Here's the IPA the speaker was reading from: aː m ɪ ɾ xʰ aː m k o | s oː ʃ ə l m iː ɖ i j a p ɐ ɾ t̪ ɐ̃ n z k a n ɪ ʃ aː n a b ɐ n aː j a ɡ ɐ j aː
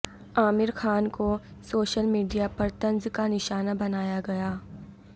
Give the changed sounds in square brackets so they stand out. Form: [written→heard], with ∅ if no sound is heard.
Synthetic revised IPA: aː m ɪ ɾ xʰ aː [m→n] k o | s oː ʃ ə l m iː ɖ i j a p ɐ ɾ t̪ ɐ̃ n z k a n ɪ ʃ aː n a b ɐ n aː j a ɡ ɐ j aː